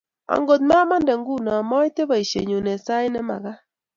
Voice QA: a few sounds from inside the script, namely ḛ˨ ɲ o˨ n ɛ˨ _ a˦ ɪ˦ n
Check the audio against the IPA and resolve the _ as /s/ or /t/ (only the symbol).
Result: s